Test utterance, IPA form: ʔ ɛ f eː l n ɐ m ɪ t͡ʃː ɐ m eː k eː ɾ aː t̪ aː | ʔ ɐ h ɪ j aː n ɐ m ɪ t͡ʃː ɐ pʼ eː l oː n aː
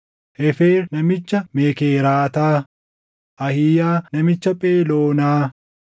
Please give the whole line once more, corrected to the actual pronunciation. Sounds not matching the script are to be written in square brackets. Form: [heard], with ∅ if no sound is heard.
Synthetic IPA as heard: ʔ ɛ f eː [ɾ] n ɐ m ɪ t͡ʃː ɐ m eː k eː ɾ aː t̪ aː | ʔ ɐ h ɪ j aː n ɐ m ɪ t͡ʃː ɐ pʼ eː l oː n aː